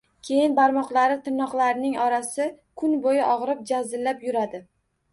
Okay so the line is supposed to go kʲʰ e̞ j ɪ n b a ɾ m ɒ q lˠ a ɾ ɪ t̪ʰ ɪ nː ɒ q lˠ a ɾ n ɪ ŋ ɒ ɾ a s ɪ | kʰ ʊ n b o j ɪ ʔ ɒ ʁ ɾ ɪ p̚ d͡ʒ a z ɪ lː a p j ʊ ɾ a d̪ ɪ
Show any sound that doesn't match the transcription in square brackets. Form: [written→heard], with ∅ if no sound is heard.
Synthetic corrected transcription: kʲʰ e̞ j ɪ n b a ɾ m ɒ q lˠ a ɾ ɪ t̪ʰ ɪ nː ɒ q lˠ a ɾ n ɪ ŋ ɒ ɾ a s ɪ | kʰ ʊ n b o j ɪ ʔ ɒ ʁ ɾ ɪ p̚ d͡ʒ a z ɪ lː a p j ʊ ɾ a d̪ ɪ